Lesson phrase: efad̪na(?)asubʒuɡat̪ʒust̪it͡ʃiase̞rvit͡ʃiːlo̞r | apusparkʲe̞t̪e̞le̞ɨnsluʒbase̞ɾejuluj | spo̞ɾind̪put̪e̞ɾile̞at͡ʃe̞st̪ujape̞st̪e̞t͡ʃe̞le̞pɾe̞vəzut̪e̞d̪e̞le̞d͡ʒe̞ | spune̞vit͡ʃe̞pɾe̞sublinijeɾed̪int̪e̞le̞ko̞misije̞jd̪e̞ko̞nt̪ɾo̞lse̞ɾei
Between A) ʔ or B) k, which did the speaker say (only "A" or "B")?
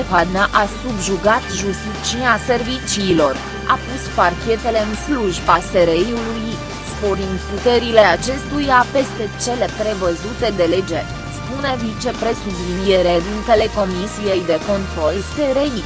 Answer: A